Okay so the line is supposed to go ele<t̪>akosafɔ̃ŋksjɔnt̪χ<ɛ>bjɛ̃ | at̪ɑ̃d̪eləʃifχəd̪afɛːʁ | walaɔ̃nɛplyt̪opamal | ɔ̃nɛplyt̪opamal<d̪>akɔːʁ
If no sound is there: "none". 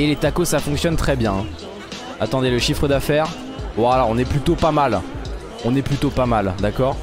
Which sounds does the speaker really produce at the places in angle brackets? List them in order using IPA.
t̪, ɛ, d̪

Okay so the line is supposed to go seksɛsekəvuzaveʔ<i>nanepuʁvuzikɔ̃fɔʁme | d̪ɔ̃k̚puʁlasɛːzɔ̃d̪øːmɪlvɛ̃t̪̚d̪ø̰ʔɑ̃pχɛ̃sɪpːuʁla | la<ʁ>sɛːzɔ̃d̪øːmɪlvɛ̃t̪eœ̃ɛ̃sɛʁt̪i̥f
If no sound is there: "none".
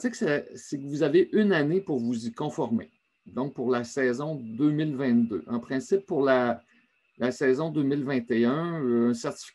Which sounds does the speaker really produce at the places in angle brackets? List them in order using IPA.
y, none

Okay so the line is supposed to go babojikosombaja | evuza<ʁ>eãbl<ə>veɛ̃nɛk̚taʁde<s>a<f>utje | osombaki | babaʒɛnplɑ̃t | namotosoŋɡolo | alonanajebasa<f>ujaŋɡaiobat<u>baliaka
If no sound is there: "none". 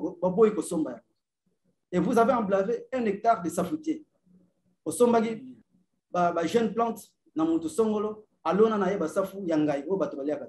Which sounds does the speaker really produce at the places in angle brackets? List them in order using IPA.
v, a, s, f, f, o

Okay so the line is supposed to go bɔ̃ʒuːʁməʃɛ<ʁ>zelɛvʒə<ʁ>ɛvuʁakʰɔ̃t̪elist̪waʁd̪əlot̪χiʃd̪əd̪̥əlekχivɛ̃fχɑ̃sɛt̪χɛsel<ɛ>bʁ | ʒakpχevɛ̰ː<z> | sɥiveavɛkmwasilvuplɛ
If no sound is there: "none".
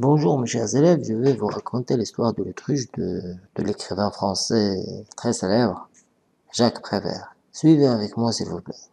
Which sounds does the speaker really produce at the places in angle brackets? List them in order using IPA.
ʁ, v, ɛ, ʁ

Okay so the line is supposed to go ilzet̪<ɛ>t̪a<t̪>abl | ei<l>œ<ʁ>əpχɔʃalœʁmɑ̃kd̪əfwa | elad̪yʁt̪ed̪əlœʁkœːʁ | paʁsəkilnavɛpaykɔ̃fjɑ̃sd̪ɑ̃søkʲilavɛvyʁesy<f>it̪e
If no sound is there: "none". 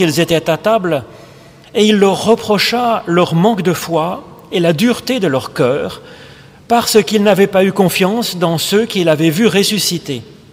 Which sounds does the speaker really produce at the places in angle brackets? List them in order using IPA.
ɛ, t̪, lː, ʁː, s

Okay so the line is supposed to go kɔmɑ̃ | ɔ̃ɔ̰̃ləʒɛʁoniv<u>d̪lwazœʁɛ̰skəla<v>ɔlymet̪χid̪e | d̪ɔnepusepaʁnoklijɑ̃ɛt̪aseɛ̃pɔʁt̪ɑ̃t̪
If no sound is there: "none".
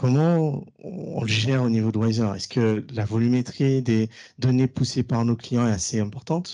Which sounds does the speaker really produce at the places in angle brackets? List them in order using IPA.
o, v

